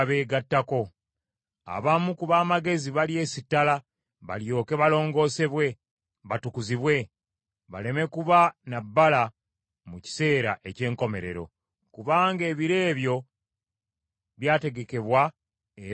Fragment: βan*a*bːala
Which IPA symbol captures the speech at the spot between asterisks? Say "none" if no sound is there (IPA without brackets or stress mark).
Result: a